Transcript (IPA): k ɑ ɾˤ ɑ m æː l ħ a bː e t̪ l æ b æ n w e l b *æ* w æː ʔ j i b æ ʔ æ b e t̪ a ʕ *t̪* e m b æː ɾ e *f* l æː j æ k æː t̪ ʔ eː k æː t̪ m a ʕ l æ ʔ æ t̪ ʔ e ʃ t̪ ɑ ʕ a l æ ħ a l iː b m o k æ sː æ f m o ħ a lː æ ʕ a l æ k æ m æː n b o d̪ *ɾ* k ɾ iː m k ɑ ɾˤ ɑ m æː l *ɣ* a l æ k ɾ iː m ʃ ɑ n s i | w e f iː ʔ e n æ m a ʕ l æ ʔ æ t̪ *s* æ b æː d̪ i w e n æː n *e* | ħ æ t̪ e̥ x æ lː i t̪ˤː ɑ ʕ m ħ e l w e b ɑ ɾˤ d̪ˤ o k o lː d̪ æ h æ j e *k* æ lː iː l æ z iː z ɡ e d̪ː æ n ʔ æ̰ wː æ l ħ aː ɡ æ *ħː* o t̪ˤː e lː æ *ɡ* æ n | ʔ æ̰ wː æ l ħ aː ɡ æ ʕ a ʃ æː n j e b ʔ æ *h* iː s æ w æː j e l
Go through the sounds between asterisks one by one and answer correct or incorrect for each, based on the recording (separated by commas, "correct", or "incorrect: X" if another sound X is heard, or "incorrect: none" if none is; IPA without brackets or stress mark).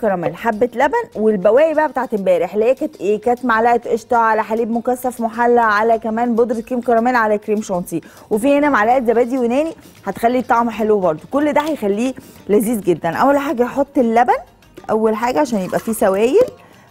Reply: correct, correct, incorrect: ħ, correct, incorrect: ʕ, incorrect: z, incorrect: i, incorrect: x, incorrect: ħ, incorrect: b, incorrect: f